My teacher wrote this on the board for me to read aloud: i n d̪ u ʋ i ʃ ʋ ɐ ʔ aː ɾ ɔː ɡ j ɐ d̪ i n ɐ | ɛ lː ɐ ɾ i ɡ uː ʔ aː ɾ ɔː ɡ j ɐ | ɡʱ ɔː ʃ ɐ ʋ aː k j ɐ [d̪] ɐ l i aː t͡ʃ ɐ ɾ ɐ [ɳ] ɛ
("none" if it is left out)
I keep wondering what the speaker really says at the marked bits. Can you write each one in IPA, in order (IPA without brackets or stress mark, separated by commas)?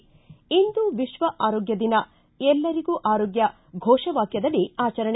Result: d̪, ɳ